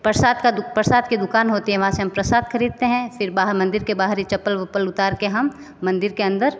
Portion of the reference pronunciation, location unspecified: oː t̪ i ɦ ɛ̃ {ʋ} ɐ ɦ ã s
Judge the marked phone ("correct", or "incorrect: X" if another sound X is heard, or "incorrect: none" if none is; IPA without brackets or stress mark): correct